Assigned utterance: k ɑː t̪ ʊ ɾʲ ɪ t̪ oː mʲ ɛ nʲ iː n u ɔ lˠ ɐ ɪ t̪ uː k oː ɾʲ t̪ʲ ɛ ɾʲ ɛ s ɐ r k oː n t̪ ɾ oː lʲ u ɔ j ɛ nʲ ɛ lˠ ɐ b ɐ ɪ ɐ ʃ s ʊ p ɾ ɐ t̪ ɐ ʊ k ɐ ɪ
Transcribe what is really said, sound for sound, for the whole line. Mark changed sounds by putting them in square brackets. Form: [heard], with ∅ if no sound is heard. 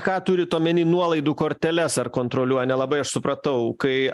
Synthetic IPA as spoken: k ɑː t̪ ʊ ɾʲ ɪ t̪ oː mʲ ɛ nʲ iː n u ɔ lˠ ɐ ɪ [d̪] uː k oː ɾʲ t̪ʲ ɛ [lʲ] ɛ s ɐ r k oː n t̪ ɾ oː lʲ u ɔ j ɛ nʲ ɛ lˠ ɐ b ɐ ɪ ɐ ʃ s ʊ p ɾ ɐ t̪ ɐ ʊ k ɐ ɪ